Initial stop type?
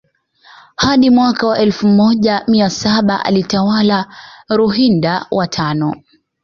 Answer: implosive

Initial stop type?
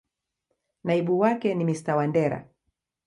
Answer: implosive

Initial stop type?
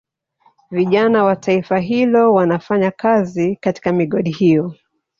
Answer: implosive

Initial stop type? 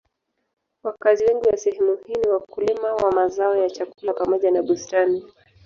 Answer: plain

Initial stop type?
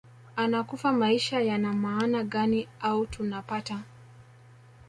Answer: plain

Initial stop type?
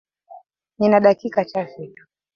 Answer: implosive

